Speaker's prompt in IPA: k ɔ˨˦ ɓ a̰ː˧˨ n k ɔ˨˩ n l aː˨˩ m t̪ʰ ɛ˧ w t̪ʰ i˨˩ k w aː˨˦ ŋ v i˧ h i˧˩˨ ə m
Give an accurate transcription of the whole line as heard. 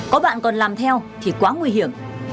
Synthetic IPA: k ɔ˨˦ ɓ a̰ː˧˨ n k ɔ˨˩ n l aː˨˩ m t̪ʰ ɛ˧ w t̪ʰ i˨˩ k w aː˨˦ ŋ w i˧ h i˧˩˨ ə m